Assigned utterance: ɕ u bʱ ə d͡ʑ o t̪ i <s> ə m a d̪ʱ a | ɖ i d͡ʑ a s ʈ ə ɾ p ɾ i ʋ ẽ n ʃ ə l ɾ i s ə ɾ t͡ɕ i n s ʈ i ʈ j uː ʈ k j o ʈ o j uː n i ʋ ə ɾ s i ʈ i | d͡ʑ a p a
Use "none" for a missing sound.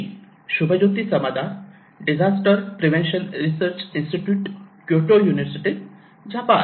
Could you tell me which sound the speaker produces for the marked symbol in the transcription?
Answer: s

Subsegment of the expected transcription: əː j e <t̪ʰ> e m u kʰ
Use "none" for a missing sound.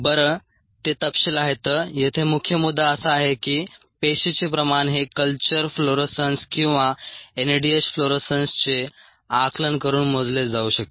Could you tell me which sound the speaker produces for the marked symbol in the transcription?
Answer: t̪ʰ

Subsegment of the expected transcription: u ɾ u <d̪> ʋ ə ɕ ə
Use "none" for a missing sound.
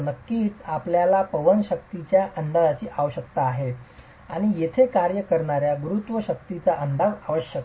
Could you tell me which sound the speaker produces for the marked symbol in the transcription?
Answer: t̪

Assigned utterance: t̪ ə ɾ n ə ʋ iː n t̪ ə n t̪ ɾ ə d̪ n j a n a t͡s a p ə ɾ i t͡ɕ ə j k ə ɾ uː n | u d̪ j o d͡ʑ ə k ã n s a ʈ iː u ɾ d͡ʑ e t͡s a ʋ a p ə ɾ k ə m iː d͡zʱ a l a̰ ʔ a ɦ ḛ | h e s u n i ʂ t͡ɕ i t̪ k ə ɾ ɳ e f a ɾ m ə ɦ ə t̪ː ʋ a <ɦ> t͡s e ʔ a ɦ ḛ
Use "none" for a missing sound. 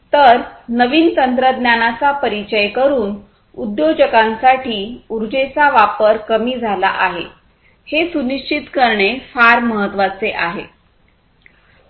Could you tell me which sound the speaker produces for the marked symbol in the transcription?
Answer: none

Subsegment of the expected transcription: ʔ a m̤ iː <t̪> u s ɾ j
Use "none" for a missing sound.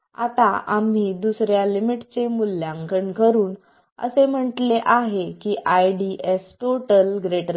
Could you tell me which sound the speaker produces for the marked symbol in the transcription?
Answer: d̪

